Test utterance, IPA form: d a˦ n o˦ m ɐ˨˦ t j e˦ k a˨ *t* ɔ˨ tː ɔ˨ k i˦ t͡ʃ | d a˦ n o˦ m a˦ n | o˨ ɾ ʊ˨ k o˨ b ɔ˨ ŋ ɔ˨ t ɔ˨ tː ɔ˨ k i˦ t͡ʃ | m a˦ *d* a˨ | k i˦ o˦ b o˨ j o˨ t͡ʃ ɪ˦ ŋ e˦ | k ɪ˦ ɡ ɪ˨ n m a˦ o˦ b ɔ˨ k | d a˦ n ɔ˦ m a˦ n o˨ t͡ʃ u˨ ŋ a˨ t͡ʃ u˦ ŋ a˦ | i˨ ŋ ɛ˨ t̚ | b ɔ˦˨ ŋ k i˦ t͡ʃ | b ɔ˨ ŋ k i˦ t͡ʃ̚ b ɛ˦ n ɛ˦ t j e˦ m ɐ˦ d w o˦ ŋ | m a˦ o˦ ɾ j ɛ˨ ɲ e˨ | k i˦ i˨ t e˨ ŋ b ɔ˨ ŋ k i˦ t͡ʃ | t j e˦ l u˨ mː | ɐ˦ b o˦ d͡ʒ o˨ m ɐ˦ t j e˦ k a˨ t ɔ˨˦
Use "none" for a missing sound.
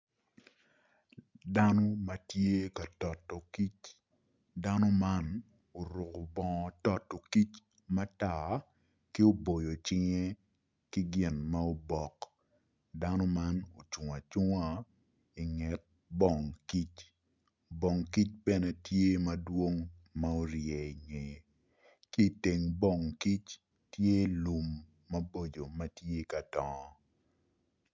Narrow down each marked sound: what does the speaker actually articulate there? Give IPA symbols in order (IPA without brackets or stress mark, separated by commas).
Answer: t, t